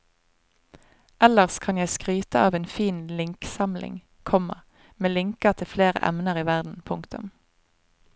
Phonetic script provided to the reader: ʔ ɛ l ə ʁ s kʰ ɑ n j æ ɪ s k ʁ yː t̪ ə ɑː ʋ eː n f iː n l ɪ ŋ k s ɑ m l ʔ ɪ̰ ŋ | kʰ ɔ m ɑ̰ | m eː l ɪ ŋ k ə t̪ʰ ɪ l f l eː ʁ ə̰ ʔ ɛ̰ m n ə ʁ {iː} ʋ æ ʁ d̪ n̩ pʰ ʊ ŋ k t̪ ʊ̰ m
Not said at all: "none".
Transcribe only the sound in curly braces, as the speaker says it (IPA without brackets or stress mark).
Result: iː